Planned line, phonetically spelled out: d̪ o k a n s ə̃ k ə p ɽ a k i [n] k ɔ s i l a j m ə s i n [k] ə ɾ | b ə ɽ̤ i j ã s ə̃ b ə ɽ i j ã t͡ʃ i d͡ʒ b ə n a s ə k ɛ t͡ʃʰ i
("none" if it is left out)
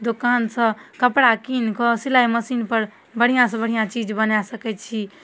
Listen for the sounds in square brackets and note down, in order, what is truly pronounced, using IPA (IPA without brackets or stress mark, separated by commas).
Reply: n, p